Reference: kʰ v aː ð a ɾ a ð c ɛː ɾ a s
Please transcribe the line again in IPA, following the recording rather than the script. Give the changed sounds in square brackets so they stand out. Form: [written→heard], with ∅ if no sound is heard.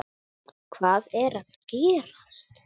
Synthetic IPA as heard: kʰ v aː ð [a→ɛ] ɾ a ð c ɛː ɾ a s